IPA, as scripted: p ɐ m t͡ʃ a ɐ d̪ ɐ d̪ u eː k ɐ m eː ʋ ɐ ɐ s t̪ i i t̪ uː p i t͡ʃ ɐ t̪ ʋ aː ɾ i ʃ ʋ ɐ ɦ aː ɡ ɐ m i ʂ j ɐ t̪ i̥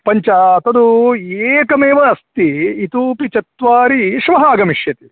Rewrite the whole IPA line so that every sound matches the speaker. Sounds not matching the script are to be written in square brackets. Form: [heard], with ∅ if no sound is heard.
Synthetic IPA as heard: p ɐ [ɲ] t͡ʃ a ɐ [t̪] ɐ d̪ u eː k ɐ m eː ʋ ɐ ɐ s t̪ i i t̪ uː p i t͡ʃ ɐ t̪ ʋ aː ɾ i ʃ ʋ ɐ ɦ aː ɡ ɐ m i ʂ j ɐ t̪ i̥